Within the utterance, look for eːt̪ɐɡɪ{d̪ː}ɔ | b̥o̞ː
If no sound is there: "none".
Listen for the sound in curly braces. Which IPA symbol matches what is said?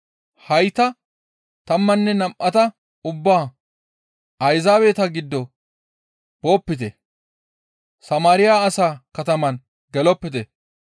d̪ː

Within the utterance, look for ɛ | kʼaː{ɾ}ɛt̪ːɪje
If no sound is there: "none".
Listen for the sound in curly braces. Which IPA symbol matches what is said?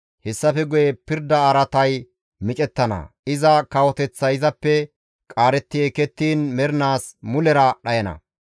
ɾ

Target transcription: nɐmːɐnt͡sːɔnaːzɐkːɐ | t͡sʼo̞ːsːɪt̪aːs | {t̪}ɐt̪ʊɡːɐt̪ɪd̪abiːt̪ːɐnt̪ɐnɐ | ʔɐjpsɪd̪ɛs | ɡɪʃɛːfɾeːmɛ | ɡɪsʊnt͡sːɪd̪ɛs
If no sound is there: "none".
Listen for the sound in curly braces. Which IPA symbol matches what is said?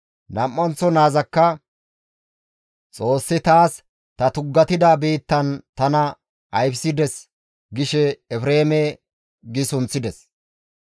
t̪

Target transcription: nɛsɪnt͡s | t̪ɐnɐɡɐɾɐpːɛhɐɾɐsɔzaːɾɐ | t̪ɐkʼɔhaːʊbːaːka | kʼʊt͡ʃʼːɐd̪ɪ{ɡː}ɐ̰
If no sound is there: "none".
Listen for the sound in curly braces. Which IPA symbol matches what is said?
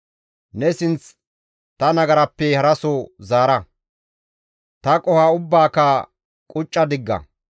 ɡː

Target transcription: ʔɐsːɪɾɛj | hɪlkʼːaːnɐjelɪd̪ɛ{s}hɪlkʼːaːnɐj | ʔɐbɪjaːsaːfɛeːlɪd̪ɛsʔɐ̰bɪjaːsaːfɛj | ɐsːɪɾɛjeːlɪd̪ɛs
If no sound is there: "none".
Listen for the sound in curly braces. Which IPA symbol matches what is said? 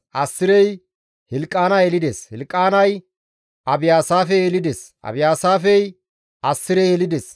s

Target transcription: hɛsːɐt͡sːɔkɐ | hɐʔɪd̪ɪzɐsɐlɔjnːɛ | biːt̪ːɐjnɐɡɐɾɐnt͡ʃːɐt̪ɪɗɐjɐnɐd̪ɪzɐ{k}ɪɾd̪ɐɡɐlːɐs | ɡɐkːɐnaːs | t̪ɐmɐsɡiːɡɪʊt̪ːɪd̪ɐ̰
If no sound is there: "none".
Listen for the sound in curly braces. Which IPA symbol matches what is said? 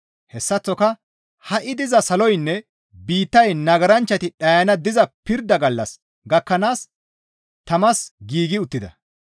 p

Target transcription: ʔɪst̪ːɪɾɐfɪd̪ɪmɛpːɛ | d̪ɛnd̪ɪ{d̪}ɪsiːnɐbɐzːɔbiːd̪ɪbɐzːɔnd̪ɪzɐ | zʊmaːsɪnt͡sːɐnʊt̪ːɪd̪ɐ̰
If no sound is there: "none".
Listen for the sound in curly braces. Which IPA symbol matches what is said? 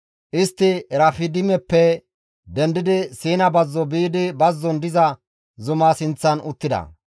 d̪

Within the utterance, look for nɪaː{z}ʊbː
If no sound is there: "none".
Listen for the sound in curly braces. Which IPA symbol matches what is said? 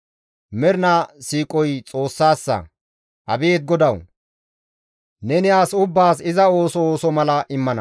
s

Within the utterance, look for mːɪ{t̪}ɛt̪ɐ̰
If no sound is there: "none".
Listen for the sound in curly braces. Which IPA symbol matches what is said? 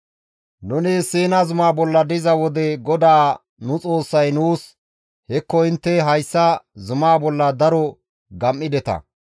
d̪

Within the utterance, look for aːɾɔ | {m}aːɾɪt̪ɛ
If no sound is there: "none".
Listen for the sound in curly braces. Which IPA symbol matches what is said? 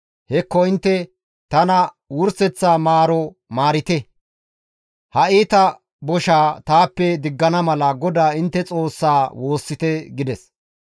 m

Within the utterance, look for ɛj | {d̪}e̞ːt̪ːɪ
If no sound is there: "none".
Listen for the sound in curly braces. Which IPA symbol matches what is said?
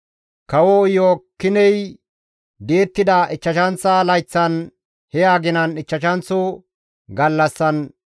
d̪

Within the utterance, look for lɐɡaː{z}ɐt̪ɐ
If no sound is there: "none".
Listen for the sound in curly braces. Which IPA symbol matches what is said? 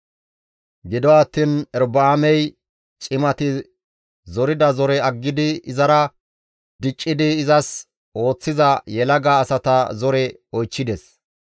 s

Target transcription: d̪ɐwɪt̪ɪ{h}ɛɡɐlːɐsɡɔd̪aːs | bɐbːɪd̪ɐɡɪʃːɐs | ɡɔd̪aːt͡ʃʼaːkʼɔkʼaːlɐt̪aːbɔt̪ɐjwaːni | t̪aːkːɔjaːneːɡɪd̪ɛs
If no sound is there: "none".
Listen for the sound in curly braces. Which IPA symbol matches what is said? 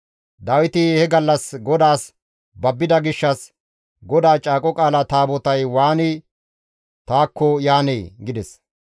h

